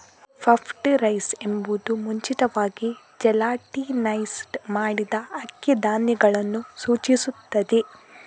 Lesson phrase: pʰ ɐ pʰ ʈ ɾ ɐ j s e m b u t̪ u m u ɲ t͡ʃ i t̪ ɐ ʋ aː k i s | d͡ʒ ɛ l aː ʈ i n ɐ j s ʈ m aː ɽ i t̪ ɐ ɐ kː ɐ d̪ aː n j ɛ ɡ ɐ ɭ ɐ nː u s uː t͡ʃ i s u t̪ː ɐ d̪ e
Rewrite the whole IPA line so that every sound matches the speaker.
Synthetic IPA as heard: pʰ ɐ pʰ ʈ ɾ ɐ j s e m b u d̪ u m u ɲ t͡ʃ i t̪ ɐ ʋ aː ɡ i | d͡ʒ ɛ l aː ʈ i n ɐ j s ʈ m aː ɽ i d̪ ɐ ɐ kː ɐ d̪ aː n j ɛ ɡ ɐ ɭ ɐ nː u s uː t͡ʃ i s u t̪ː ɐ d̪ e